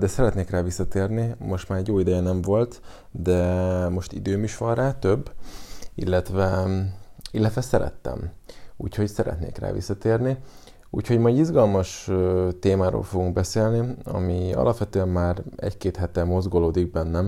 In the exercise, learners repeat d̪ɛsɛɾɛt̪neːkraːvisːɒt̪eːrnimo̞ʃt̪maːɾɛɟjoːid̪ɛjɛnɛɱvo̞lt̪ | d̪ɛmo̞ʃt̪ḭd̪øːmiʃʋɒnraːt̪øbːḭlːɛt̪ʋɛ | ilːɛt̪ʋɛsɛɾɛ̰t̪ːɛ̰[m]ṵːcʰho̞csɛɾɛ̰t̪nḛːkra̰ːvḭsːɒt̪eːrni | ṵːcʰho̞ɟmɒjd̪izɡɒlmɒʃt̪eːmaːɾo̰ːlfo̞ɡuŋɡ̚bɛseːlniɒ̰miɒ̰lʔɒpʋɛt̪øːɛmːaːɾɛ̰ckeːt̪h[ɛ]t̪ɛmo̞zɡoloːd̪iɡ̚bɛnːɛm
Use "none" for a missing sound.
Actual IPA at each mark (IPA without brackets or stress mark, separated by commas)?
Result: m, ɛ